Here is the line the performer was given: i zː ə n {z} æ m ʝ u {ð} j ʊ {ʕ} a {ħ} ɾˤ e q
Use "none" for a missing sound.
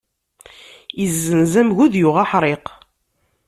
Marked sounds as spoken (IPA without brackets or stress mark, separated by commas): z, ð, ʁ, ħ